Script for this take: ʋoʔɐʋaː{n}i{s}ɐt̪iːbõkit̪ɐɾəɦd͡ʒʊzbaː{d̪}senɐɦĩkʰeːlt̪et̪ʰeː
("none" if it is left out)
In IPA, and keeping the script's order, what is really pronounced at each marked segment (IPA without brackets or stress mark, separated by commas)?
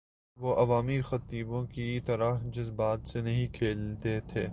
m, x, t̪